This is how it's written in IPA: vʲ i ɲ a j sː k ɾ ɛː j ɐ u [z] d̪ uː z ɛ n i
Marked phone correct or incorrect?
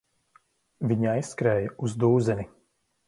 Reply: correct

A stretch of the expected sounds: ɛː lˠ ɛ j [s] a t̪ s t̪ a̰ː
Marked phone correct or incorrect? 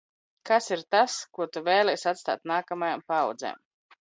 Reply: correct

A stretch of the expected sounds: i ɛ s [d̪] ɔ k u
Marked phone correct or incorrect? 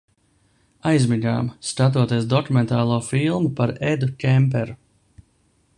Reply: correct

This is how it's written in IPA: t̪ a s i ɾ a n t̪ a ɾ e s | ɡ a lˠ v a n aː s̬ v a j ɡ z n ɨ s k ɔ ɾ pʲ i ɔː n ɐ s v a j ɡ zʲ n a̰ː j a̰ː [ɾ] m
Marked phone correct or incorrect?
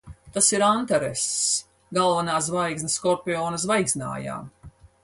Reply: incorrect: none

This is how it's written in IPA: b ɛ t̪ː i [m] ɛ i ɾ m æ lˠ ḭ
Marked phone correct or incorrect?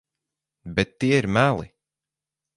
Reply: incorrect: none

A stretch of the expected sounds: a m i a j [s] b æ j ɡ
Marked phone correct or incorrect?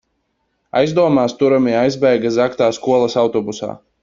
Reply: incorrect: z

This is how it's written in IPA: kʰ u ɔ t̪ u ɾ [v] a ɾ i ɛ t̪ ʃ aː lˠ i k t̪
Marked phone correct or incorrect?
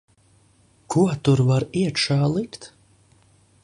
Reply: correct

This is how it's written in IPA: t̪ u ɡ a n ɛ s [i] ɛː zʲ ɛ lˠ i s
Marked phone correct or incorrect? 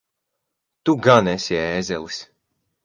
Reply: correct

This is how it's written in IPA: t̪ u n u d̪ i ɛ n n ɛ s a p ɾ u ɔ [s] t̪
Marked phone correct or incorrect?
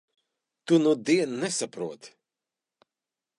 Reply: incorrect: none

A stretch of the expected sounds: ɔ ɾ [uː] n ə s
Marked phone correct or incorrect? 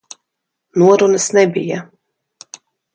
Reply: incorrect: u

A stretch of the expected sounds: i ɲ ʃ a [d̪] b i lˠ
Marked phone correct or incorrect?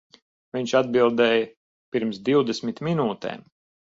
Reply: correct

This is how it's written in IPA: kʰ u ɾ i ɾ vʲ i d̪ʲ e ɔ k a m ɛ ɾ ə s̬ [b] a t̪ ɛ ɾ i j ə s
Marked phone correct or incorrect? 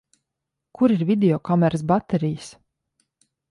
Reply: correct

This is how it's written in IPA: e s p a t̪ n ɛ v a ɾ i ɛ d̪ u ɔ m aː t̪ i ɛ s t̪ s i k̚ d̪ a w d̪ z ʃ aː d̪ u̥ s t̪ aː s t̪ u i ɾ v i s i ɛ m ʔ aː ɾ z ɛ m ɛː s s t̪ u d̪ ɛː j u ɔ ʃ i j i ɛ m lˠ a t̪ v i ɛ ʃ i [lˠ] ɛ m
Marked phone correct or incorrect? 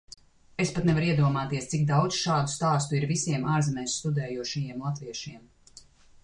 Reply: incorrect: none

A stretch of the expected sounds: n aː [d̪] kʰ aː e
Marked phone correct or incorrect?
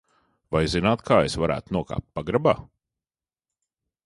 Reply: incorrect: t̪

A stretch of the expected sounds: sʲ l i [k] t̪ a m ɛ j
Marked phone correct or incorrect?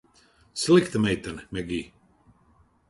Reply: correct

